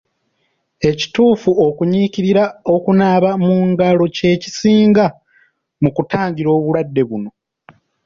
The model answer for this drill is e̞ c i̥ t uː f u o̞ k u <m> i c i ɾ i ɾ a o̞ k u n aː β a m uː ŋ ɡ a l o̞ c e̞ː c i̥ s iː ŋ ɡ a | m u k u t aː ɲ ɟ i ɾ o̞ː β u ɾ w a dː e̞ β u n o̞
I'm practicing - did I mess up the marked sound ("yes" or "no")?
yes